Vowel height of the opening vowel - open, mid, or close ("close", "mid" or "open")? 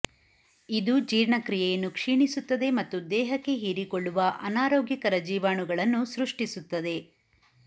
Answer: close